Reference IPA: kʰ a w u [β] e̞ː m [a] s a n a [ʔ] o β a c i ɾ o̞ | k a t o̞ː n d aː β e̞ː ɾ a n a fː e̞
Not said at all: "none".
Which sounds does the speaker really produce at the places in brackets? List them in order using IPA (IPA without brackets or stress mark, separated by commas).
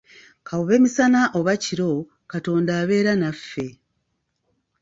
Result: β, i, ʔ